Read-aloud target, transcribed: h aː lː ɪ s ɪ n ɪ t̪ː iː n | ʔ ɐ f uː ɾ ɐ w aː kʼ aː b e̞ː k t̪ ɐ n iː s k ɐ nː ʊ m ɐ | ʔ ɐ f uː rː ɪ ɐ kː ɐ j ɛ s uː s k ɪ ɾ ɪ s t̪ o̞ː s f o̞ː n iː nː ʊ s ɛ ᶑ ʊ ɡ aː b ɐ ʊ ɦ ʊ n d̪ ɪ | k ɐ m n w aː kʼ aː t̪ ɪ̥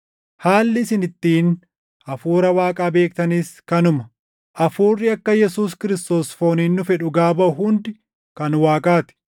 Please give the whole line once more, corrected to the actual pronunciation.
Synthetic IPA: h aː lː ɪ s ɪ n ɪ t̪ː iː n | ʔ ɐ f uː ɾ ɐ w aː kʼ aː b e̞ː k t̪ ɐ n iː s k ɐ n ʊ m ɐ | ʔ ɐ f uː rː ɪ ɐ kː ɐ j ɛ s uː s k ɪ ɾ ɪ s t̪ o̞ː s f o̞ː n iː nː ʊ f ɛ ᶑ ʊ ɡ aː b ɐ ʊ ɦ ʊ n d̪ ɪ | k ɐ n w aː kʼ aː t̪ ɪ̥